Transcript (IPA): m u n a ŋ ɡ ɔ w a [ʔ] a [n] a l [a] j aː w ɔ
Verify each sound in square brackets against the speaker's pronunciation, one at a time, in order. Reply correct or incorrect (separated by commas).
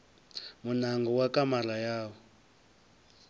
incorrect, incorrect, correct